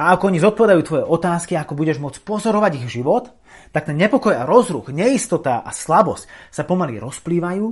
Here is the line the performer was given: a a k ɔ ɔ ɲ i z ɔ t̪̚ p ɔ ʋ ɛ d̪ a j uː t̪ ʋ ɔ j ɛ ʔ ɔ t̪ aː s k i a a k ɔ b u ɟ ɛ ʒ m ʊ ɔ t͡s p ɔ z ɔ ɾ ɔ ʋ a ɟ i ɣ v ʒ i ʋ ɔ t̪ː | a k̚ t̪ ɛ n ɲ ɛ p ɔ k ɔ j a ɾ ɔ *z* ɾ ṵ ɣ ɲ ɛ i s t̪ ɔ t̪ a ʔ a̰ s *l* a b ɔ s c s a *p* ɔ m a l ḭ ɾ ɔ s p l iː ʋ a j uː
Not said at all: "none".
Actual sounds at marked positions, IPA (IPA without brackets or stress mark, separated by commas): z, l, p